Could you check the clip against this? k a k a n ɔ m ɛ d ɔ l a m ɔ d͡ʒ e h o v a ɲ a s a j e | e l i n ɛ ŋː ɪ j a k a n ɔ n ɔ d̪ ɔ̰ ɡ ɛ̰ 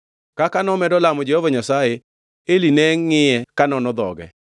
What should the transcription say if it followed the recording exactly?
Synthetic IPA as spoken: k a k a n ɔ m ɛ d ɔ l a m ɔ d͡ʒ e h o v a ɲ a s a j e | e l i n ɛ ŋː ɪ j ɛ k a n ɔ n ɔ d̪ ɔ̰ ɡ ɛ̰